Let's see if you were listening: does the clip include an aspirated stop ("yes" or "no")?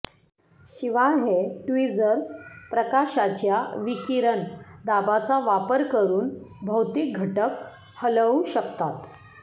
no